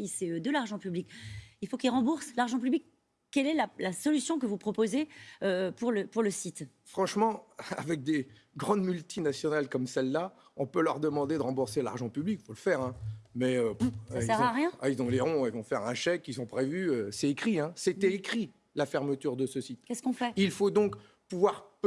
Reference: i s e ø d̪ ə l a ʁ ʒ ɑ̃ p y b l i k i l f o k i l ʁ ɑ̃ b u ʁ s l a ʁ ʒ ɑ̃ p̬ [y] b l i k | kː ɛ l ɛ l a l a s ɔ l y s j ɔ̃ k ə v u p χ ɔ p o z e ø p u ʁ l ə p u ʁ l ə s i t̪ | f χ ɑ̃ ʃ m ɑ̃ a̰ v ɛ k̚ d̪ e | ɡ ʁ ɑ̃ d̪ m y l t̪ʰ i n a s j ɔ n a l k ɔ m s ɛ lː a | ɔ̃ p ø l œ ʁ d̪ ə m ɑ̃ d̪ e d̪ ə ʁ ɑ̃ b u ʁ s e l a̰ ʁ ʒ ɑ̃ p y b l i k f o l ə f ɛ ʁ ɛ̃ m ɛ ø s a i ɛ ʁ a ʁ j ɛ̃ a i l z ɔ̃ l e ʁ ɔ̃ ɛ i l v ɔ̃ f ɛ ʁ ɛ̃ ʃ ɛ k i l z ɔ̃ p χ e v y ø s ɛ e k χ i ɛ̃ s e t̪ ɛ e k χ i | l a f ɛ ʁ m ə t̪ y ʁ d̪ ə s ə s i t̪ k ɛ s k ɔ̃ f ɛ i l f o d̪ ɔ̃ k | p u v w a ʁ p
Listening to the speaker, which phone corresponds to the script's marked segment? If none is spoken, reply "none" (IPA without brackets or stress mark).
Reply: y